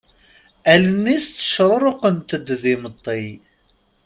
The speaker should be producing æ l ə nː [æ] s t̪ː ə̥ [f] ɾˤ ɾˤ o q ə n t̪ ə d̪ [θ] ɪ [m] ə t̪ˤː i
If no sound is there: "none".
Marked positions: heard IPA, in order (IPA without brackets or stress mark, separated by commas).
i, ʃ, ð, m